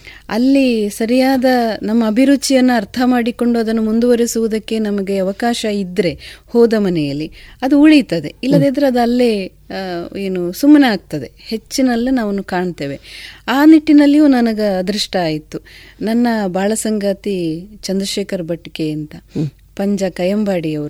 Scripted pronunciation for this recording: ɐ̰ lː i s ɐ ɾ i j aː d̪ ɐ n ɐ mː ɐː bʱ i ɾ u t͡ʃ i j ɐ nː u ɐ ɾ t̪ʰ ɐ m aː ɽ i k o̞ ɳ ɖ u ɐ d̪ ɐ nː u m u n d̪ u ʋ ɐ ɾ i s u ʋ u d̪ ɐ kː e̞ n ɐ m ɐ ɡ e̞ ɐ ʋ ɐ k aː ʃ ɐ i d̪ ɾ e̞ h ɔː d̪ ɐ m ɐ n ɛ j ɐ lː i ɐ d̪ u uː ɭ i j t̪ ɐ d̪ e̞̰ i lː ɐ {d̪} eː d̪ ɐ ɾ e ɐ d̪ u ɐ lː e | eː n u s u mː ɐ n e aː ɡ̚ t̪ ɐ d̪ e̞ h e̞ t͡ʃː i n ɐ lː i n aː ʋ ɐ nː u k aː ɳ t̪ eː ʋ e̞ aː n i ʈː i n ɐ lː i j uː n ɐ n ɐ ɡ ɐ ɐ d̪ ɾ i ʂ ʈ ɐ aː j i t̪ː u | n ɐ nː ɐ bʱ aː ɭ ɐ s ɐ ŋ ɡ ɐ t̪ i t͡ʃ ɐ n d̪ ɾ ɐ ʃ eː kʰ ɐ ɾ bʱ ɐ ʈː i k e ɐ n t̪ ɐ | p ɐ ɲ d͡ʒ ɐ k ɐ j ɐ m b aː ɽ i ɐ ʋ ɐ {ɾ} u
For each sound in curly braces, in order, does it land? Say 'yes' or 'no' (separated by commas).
yes, yes